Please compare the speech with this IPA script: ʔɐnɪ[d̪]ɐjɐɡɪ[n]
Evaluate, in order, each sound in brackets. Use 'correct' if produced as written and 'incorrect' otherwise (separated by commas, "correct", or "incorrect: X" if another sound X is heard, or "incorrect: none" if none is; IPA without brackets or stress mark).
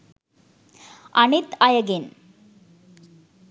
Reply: incorrect: t̪, correct